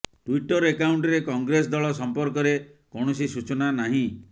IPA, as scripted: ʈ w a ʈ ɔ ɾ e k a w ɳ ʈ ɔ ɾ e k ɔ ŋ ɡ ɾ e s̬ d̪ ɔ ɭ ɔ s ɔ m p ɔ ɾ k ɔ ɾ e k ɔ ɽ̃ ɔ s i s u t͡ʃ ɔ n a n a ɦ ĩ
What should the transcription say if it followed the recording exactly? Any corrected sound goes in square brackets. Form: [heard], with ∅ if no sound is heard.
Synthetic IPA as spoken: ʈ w [i] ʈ ɔ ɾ e k a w ɳ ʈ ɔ ɾ e k ɔ ŋ ɡ ɾ e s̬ d̪ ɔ ɭ ɔ s ɔ m p ɔ ɾ k ɔ ɾ e k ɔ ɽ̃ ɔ s i s u t͡ʃ ɔ n a n a ɦ ĩ